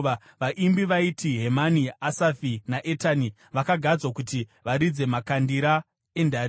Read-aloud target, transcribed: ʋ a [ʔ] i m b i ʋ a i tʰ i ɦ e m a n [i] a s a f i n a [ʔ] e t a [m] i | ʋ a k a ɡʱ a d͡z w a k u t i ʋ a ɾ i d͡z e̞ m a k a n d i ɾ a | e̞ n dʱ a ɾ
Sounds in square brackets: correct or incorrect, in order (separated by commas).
correct, correct, correct, incorrect